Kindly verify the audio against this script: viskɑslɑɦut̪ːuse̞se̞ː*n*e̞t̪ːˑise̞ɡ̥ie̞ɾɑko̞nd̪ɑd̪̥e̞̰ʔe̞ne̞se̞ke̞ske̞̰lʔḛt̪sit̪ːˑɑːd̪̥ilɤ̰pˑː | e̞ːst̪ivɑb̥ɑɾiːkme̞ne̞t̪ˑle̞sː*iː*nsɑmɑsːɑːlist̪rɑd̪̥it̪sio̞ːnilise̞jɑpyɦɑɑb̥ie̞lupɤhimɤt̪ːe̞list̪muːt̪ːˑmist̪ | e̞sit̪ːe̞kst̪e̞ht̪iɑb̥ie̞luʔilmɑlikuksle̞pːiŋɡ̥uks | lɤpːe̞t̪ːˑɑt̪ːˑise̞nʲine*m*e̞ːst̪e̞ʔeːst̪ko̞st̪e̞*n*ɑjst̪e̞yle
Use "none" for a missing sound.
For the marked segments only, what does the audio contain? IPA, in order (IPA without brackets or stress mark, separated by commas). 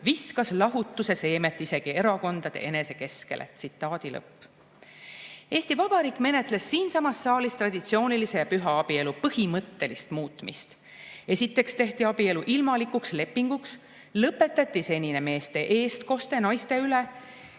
m, iː, m, n